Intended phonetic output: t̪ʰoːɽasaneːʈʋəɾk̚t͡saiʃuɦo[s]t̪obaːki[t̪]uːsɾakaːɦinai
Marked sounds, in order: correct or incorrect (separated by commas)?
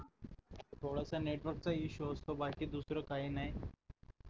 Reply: correct, incorrect